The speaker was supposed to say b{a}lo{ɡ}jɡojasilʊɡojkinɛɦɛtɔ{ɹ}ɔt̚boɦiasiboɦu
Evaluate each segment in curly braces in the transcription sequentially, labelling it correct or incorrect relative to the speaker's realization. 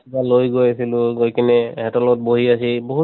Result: correct, incorrect, incorrect

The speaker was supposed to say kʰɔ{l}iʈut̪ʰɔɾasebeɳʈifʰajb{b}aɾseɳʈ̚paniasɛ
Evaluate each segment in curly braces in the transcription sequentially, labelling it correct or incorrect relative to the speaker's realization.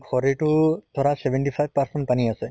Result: incorrect, incorrect

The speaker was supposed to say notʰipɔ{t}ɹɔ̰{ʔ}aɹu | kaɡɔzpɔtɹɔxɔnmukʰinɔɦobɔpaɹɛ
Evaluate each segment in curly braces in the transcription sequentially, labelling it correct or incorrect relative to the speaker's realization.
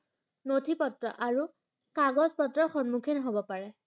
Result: correct, correct

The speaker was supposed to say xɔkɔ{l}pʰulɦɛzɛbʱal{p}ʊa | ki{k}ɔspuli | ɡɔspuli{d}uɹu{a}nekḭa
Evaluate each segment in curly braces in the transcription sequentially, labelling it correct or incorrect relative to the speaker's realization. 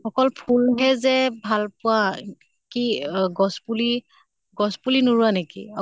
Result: correct, correct, incorrect, incorrect, correct

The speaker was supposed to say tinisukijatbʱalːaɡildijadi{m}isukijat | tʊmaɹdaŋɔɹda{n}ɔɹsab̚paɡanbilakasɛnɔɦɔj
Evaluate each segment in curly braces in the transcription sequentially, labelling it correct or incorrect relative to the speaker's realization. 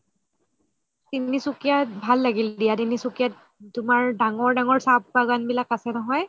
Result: incorrect, incorrect

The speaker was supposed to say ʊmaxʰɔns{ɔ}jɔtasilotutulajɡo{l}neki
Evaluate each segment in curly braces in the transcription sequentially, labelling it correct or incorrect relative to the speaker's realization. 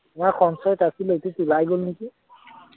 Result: correct, correct

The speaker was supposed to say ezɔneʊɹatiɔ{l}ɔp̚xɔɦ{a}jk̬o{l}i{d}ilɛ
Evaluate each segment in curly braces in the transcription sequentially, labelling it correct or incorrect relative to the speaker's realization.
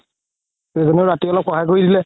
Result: correct, correct, incorrect, correct

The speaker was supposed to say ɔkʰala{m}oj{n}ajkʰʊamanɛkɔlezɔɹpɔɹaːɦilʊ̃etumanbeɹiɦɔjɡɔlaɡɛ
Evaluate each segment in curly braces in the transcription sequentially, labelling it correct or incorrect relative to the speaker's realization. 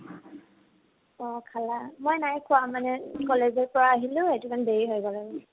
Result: correct, correct

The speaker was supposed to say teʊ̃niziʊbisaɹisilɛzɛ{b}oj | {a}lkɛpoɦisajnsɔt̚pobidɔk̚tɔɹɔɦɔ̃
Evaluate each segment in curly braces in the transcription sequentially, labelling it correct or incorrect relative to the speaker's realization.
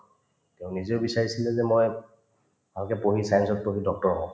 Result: incorrect, correct

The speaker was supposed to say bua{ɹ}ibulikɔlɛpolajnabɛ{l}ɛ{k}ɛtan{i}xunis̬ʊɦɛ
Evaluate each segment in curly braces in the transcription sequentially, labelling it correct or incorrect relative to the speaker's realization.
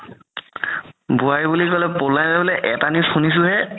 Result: correct, correct, incorrect, correct

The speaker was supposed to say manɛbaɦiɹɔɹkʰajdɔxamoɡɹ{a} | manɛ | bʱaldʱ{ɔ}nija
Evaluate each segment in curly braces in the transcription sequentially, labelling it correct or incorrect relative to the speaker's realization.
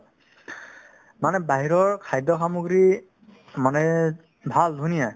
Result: incorrect, incorrect

